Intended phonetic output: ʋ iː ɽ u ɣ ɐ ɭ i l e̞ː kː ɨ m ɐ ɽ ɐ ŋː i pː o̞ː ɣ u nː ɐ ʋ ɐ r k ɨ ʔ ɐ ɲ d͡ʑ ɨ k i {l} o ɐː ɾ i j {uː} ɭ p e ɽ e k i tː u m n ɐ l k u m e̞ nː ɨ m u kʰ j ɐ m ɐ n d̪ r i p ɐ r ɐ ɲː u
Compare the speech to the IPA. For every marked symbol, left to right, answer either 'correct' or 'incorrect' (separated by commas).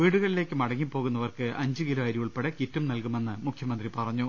correct, incorrect